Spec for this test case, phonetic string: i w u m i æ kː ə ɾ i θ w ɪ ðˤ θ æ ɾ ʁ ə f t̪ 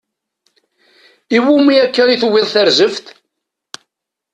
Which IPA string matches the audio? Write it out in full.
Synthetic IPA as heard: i w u m i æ kː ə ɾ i θ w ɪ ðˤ θ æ ɾ z ə f t̪